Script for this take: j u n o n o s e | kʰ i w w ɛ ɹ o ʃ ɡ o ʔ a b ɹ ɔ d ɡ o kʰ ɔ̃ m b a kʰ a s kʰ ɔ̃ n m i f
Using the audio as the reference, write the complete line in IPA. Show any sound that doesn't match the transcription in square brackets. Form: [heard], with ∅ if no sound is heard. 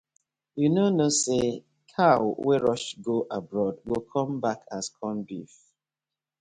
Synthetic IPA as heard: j u n o n o s e | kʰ [a] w w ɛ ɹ [ɔ] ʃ ɡ o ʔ a b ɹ ɔ d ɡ o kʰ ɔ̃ m b a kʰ a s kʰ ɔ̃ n [b] i f

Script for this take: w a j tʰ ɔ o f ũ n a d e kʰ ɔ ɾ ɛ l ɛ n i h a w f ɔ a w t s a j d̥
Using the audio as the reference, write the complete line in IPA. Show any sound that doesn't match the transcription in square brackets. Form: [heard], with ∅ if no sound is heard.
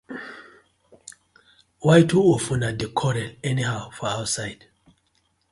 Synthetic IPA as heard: w a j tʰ [u] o f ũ n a d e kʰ ɔ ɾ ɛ l ɛ n i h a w f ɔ a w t s a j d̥

